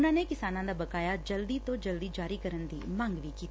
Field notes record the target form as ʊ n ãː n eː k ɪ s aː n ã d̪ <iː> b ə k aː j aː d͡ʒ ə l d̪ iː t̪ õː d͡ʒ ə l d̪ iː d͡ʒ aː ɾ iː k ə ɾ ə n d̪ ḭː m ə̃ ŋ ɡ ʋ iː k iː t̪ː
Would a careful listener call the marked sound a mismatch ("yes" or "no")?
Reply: yes